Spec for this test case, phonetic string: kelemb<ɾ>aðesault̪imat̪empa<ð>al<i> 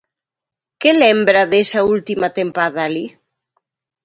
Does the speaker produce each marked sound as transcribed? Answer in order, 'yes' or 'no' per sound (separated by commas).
yes, yes, yes